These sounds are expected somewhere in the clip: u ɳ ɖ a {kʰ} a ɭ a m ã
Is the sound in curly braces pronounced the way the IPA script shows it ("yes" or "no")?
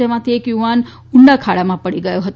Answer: yes